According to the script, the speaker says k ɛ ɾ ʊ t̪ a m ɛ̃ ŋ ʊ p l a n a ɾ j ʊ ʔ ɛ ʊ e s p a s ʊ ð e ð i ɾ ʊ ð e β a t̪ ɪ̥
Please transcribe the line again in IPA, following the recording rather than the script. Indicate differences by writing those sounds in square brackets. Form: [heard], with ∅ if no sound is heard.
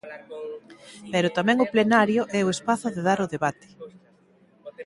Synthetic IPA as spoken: [p] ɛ ɾ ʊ t̪ a m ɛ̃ ŋ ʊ p l [e] n a ɾ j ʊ ʔ ɛ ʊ e s p a [θ] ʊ ð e ð [a] ɾ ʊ ð e β a t̪ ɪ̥